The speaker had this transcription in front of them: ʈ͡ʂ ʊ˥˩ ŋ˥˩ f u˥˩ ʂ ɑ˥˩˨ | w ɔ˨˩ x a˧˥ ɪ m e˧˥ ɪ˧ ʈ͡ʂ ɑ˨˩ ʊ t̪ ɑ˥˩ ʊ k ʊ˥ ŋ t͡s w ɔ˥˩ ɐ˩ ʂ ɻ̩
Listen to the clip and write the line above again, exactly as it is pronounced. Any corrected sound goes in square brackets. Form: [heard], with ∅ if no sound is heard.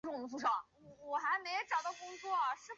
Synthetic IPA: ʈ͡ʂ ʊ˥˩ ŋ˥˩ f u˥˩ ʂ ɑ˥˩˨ | w ɔ˨˩ x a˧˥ ɪ m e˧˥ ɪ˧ ʈ͡ʂ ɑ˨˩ ʊ t̪ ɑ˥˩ ʊ k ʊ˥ ŋ t͡s w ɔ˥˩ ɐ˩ ʂ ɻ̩